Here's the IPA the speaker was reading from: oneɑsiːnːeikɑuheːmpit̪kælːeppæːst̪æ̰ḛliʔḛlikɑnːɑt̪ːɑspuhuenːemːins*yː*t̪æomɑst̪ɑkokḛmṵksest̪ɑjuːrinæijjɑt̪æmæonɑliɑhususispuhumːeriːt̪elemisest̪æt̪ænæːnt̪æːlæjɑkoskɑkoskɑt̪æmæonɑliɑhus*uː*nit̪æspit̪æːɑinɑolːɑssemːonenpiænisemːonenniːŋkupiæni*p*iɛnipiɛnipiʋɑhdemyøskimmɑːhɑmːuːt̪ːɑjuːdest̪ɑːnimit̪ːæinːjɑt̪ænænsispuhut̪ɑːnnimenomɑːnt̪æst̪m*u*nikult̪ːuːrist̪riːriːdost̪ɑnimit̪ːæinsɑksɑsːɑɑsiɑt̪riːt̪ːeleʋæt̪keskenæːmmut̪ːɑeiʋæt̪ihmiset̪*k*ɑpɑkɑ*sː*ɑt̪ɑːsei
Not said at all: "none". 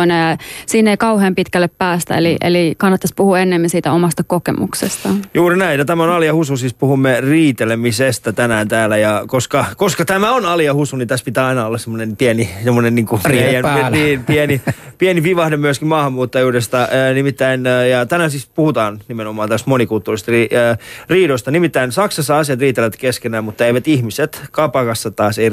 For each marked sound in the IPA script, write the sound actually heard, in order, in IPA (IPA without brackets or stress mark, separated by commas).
iː, u, p, o, k, sː